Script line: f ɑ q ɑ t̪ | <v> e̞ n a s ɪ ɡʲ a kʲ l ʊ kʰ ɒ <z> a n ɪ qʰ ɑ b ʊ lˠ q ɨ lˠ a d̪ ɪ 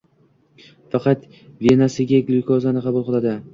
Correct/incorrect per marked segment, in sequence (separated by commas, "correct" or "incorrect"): correct, correct